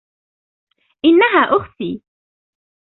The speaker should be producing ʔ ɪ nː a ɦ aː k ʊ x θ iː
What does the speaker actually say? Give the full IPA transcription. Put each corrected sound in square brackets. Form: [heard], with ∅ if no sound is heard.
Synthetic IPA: ʔ ɪ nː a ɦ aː [ʔ] ʊ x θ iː

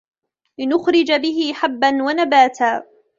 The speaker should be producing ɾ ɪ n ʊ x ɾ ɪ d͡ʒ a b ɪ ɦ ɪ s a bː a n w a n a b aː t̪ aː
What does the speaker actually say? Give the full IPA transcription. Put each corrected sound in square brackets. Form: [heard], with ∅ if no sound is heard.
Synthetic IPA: [l] ɪ n ʊ x ɾ ɪ d͡ʒ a b ɪ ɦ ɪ [ħ] a bː a n w a n a b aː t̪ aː

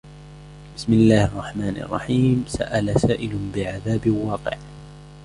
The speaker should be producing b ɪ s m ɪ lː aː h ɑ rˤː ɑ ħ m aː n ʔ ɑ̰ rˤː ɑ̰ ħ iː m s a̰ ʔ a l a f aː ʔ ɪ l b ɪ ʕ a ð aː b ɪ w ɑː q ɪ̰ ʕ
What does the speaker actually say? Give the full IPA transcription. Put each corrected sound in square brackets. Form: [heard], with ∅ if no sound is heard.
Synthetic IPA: b ɪ s m ɪ lː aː h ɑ rˤː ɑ ħ m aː n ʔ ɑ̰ rˤː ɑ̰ ħ iː m s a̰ ʔ a l a [s] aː ʔ ɪ l b ɪ ʕ a ð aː b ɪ w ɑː q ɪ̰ ʕ

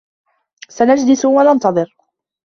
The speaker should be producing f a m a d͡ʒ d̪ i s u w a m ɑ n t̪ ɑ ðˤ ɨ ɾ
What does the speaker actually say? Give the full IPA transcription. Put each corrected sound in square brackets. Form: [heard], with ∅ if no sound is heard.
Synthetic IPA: [s] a [n] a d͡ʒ d̪ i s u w a [n] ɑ n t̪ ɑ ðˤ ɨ ɾ

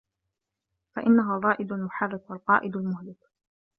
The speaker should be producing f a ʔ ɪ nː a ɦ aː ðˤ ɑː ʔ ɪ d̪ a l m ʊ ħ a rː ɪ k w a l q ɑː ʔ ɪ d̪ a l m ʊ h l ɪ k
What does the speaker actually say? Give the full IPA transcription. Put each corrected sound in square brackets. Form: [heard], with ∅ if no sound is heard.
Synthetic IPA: f a ʔ ɪ nː a ɦ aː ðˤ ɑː ʔ ɪ d̪ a l m ʊ ħ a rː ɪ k w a l q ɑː ʔ ɪ d̪ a l m ʊ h l ɪ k

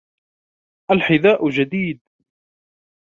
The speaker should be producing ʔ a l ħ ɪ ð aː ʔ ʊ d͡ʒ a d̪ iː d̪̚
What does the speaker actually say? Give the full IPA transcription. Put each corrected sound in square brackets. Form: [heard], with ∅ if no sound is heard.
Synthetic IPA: ʔ a l ħ ɪ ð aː ʔ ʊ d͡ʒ a d̪ iː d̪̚

